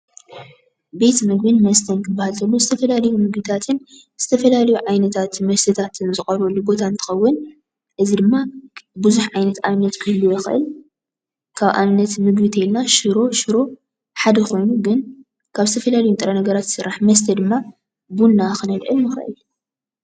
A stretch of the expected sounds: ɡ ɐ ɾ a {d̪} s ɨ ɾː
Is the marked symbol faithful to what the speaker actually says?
no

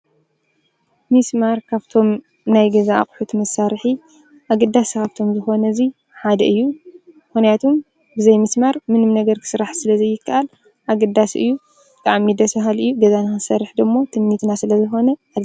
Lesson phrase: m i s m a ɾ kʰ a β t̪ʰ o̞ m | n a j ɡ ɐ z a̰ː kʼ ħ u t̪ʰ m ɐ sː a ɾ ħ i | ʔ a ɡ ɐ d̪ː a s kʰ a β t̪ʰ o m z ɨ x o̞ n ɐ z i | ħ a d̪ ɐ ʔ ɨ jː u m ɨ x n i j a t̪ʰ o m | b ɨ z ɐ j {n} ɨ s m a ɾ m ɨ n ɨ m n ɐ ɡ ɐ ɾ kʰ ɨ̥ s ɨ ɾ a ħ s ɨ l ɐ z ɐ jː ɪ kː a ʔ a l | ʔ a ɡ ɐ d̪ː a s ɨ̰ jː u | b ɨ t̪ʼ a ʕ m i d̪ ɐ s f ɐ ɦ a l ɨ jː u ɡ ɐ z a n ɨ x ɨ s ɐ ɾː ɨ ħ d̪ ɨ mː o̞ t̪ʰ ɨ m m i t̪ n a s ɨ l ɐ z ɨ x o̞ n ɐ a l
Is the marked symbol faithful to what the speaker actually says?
no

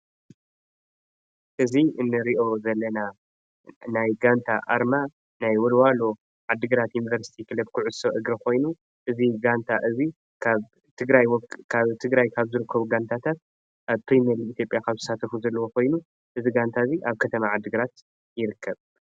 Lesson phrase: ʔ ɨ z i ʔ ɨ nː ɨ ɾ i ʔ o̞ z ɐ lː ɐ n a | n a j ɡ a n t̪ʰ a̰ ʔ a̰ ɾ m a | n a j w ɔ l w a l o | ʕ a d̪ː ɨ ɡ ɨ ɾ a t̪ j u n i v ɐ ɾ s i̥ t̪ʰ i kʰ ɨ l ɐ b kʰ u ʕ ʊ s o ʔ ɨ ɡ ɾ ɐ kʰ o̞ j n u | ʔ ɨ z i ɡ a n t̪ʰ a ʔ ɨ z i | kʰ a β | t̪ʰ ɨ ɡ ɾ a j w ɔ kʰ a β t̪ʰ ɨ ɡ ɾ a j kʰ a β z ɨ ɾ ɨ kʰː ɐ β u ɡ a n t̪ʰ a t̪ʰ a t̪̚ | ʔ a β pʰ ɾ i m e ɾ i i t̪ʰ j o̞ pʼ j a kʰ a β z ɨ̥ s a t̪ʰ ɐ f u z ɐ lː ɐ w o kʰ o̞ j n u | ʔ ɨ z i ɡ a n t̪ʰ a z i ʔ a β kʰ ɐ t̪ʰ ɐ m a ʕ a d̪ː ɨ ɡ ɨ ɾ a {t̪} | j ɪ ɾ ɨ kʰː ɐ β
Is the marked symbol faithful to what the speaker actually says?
yes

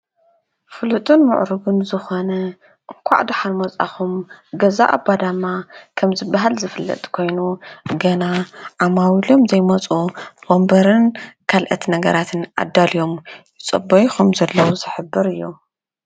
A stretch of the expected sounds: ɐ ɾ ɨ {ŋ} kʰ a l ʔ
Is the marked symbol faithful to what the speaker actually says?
no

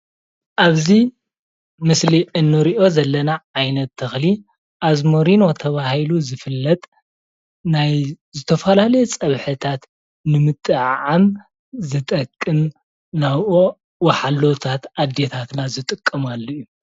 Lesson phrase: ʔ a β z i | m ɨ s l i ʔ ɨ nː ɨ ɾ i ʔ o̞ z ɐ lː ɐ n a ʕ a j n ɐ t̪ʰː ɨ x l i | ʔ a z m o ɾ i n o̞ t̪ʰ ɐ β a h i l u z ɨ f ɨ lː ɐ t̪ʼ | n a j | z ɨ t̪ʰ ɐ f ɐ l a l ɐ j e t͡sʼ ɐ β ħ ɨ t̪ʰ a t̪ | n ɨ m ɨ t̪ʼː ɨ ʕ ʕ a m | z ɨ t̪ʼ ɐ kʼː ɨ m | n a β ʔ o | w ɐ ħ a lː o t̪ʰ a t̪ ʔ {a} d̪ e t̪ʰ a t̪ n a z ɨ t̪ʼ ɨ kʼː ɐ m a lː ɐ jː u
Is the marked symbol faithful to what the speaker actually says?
yes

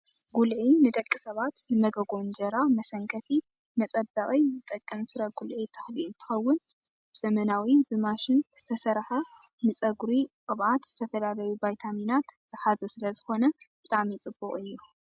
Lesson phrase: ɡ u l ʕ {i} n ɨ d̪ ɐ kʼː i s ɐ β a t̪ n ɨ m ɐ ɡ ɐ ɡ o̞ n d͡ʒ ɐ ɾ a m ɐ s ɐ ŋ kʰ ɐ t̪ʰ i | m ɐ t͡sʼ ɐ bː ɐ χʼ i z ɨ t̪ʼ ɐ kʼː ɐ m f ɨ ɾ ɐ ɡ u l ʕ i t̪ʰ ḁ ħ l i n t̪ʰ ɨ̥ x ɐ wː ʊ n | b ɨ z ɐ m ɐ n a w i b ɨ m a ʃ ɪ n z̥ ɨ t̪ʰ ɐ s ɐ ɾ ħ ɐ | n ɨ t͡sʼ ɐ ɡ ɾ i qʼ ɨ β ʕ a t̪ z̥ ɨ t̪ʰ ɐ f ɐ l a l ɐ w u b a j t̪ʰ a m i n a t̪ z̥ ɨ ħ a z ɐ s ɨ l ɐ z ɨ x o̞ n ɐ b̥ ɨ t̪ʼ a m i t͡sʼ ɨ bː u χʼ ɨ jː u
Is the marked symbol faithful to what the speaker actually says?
yes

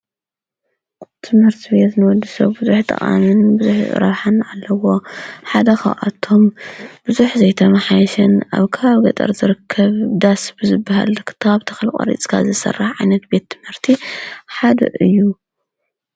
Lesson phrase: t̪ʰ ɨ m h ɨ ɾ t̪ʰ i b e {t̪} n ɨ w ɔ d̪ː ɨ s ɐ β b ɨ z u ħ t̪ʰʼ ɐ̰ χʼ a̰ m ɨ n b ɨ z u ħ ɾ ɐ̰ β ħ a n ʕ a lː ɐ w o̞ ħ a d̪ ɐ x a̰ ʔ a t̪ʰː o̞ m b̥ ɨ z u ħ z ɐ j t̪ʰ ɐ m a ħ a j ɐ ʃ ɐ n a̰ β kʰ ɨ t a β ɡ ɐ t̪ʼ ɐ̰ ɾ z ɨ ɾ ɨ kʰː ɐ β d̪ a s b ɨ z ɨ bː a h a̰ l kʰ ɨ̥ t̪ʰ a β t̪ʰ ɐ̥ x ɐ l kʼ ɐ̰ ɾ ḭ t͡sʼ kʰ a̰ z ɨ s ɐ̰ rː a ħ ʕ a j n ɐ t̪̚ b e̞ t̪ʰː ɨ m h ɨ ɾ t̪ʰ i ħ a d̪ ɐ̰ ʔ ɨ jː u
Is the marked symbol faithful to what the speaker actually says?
yes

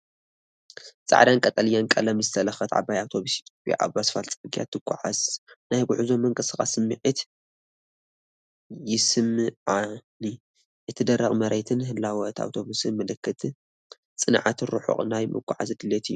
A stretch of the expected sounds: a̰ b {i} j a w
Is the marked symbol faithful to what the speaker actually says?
no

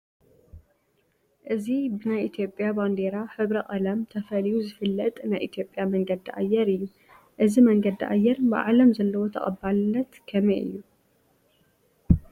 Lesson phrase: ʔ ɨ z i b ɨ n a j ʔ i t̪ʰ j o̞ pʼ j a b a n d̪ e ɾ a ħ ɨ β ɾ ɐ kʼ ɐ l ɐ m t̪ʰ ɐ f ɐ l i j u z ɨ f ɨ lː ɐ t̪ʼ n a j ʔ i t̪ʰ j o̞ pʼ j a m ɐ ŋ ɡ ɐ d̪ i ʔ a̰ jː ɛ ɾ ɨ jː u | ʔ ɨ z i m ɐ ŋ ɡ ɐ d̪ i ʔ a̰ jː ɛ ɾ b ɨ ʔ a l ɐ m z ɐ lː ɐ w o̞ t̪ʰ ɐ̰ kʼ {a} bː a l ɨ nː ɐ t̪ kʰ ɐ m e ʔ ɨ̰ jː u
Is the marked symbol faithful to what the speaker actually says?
no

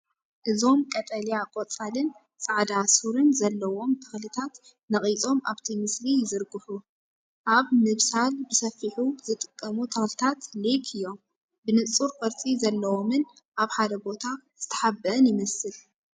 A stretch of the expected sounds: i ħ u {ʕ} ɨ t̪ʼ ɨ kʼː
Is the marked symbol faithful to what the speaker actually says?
no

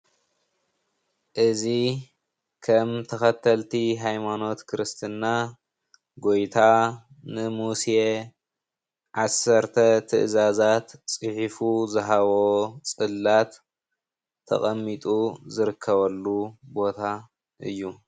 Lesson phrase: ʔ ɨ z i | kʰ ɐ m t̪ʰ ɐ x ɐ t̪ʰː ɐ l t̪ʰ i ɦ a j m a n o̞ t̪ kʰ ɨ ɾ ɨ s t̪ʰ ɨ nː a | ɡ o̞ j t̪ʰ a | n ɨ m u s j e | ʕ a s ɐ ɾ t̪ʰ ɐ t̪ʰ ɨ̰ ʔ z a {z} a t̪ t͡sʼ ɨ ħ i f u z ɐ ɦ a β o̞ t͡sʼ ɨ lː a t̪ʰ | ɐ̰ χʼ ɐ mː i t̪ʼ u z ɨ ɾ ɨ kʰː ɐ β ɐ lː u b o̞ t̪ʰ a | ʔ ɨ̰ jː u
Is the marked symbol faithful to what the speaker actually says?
yes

